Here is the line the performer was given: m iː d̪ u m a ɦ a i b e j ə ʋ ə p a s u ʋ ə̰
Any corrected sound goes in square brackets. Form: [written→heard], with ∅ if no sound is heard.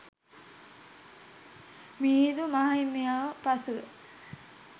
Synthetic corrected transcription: m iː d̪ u m a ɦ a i [b→m] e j [ə→a] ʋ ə p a s u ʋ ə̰